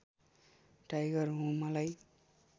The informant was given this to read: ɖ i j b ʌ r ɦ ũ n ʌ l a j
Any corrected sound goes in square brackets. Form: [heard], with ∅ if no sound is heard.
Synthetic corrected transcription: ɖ [a] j [ɡ] ʌ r ɦ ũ [m] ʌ l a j